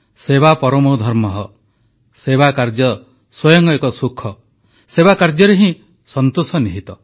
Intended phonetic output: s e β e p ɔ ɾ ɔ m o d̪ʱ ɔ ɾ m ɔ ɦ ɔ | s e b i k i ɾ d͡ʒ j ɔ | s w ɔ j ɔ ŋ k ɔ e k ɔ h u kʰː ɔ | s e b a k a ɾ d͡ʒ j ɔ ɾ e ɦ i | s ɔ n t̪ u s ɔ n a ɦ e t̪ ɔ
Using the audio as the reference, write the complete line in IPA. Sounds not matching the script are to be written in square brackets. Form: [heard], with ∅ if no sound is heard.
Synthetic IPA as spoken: s e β [a] p ɔ ɾ ɔ m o d̪ʱ ɔ ɾ m ɔ ɦ ɔ | s e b [a] k [a] ɾ d͡ʒ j ɔ | s w ɔ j ɔ ŋ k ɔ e k ɔ [s] u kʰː ɔ | s e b a k a ɾ d͡ʒ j ɔ ɾ e ɦ [ĩ] | s ɔ n t̪ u s ɔ n [i] ɦ [i] t̪ ɔ